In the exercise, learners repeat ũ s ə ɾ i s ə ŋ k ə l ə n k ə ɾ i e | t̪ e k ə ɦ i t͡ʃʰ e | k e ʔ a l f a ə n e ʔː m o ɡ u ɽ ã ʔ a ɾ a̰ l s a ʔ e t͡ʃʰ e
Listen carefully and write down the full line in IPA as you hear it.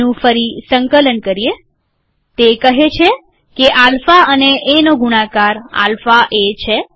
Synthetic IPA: ũ f ə ɾ i s ə ŋ k ə l ə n k ə ɾ i e | t̪ e k ə ɦ e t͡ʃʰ e | k e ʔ a l f a ə n e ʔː n o ɡ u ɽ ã k a ɾ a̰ l f a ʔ e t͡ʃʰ e